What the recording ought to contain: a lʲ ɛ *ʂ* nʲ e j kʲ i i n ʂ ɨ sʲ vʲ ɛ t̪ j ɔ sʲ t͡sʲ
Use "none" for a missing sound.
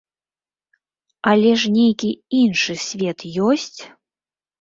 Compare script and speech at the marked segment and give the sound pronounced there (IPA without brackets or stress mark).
ʂ